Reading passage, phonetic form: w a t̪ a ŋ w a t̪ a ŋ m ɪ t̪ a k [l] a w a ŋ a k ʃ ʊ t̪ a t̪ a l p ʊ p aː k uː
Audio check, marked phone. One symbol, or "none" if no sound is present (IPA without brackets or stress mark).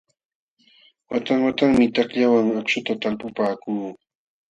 ʎ